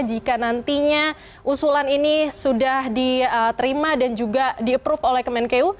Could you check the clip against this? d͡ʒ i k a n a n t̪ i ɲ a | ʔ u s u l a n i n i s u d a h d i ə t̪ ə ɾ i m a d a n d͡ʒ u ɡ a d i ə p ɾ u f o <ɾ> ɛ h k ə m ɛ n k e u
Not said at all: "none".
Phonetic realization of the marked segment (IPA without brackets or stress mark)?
l